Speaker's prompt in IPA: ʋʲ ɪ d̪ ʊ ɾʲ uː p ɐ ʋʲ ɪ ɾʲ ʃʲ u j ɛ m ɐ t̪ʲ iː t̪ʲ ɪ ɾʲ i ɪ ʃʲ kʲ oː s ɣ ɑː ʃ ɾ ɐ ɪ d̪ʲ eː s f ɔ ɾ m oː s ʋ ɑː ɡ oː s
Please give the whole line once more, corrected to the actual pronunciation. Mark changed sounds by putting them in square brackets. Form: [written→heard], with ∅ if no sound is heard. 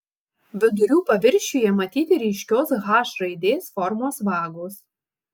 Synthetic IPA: ʋʲ ɪ d̪ ʊ ɾʲ uː p ɐ ʋʲ ɪ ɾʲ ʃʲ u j ɛ m ɐ t̪ʲ iː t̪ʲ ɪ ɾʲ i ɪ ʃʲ kʲ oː s ɣ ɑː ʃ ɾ ɐ ɪ d̪ʲ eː s f ɔ ɾ m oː s ʋ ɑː ɡ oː s